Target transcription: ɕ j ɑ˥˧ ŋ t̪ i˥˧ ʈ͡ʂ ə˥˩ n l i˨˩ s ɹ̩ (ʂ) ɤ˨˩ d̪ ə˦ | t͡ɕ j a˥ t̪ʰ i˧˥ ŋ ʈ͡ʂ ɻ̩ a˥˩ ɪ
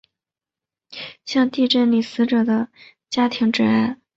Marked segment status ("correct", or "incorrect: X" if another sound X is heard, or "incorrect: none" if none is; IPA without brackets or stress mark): incorrect: ʈ͡ʂ